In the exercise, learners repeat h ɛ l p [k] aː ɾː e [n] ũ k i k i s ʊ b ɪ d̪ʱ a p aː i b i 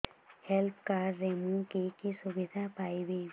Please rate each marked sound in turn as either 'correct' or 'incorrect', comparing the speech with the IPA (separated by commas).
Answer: correct, incorrect